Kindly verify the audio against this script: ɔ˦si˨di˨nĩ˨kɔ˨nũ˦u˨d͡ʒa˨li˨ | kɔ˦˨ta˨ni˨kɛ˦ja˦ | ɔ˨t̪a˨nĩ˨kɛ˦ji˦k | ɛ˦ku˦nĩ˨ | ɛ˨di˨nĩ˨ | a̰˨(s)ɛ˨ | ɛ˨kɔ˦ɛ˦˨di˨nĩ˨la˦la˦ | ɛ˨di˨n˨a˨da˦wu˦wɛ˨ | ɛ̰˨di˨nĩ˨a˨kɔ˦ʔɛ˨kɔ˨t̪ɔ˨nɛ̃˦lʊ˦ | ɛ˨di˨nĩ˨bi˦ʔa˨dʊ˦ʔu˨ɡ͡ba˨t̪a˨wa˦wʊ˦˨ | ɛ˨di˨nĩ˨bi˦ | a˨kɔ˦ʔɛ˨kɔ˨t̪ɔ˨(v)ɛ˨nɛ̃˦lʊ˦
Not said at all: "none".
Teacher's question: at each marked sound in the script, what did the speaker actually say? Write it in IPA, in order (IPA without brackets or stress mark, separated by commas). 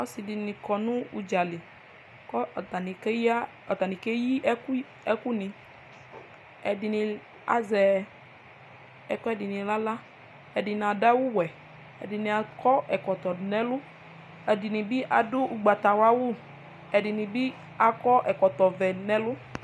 z, v